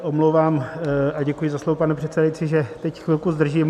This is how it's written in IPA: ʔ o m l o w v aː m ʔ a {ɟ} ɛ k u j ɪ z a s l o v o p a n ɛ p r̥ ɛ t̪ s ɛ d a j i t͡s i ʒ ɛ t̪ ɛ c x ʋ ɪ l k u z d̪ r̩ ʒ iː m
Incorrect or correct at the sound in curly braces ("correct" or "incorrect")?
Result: correct